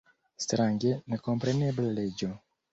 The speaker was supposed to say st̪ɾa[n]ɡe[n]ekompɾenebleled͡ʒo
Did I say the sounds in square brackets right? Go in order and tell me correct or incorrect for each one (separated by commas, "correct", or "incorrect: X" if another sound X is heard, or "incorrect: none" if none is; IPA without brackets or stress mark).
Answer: incorrect: ŋ, correct